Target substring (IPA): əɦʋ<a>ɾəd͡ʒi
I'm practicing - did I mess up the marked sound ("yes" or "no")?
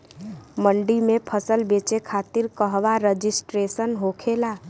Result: no